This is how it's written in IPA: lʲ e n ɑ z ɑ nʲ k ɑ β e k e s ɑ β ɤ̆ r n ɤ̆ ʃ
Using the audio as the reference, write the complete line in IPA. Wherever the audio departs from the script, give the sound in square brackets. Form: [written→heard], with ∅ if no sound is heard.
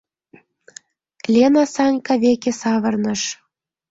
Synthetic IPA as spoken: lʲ e n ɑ [z→s] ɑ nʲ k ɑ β e k e s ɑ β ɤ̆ r n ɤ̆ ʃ